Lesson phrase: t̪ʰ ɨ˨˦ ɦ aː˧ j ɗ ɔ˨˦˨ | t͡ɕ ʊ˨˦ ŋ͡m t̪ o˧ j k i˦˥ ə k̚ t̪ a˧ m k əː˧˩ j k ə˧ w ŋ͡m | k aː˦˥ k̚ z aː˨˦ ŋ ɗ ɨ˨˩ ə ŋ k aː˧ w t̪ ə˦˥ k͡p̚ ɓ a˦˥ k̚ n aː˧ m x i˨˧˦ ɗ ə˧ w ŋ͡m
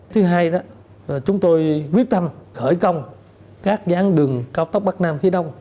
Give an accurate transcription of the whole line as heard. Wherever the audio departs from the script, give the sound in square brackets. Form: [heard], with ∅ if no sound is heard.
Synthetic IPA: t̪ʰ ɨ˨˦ ɦ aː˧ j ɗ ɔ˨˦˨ | t͡ɕ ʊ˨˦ ŋ͡m t̪ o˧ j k i˦˥ ə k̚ t̪ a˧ m [x] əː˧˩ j k ə˧ w ŋ͡m | k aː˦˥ k̚ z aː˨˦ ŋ ɗ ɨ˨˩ ə ŋ k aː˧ w t̪ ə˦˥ k͡p̚ ɓ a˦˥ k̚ n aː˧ m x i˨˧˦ ɗ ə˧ w ŋ͡m